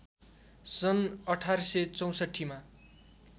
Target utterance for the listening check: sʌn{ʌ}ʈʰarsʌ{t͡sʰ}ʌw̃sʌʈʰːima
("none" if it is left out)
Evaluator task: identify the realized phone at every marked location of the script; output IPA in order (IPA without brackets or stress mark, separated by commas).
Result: ʌ, t͡s